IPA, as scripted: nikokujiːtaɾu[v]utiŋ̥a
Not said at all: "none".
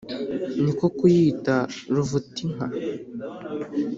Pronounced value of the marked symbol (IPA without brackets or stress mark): v